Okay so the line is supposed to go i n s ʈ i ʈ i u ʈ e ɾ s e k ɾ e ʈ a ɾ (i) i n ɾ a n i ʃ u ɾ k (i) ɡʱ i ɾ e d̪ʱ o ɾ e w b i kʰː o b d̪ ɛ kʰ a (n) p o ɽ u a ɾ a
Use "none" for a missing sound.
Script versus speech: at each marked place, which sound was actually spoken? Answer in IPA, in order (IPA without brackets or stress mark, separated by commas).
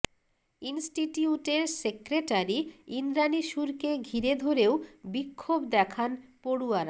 i, e, n